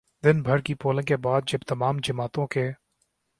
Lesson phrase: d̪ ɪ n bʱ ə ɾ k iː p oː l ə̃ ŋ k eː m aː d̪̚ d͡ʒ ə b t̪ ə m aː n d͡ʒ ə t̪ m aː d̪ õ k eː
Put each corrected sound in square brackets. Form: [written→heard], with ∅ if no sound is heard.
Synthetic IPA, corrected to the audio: d̪ ɪ n bʱ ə ɾ k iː p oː l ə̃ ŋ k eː [m→b] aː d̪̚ d͡ʒ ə b t̪ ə m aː [n→m] d͡ʒ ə [t̪→∅] m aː [d̪→t̪] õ k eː

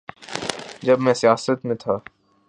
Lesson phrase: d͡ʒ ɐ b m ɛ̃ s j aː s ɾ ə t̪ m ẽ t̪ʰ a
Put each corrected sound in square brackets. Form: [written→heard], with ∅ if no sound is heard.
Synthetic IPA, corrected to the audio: d͡ʒ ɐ b m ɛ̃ s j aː s ɾ ə t̪ m ẽ t̪ʰ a

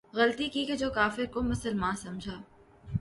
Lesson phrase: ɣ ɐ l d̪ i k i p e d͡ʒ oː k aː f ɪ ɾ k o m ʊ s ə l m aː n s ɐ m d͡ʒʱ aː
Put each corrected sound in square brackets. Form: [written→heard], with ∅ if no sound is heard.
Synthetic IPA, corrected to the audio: ɣ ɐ l [d̪→t̪] i k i [p→k] e d͡ʒ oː k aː f ɪ ɾ k o m ʊ s ə l m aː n s ɐ m d͡ʒʱ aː

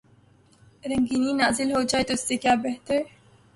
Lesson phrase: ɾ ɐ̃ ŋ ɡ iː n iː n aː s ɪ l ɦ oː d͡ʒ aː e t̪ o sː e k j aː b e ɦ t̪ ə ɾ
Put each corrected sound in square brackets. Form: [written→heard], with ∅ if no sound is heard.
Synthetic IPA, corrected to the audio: ɾ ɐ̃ ŋ ɡ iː n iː n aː [s→z] ɪ l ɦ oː d͡ʒ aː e t̪ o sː e k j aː b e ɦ t̪ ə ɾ

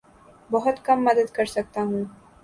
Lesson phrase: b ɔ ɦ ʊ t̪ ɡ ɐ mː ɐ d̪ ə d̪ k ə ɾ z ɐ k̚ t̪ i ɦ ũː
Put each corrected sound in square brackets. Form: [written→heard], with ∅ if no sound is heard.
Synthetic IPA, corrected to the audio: b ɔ ɦ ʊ t̪ [ɡ→k] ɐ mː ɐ d̪ ə d̪ k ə ɾ [z→s] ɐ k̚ t̪ [i→a] ɦ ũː

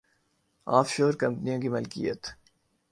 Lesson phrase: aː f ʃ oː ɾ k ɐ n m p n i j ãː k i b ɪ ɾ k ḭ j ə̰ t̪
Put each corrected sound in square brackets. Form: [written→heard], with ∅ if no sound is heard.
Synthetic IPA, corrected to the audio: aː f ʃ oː ɾ k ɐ [n→∅] m p n i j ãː k i [b→m] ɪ [ɾ→l] k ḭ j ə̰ t̪

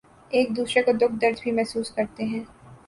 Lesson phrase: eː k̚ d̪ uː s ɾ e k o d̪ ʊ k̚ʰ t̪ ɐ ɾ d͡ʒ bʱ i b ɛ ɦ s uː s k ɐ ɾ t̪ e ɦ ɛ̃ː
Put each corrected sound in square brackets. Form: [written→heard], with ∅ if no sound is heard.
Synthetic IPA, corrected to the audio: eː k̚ d̪ uː s ɾ e k o d̪ ʊ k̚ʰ [t̪→d̪] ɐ ɾ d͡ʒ bʱ i [b→m] ɛ ɦ s uː s k ɐ ɾ t̪ e ɦ ɛ̃ː

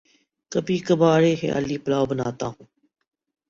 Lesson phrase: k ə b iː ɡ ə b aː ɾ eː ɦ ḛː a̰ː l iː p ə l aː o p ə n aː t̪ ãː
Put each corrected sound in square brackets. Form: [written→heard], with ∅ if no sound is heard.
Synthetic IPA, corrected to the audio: k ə b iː [ɡ→k] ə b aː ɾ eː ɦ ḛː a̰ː l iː p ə l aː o [p→b] ə n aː t̪ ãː

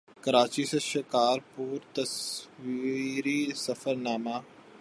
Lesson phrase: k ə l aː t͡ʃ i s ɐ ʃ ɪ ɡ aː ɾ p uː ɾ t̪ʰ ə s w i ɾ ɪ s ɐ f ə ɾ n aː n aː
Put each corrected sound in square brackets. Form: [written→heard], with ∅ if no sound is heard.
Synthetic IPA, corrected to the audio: k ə [l→ɾ] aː t͡ʃ i s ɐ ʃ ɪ [ɡ→k] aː ɾ p uː ɾ [t̪ʰ→t̪] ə s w i ɾ [ɪ→i] s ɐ f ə ɾ n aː [n→m] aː

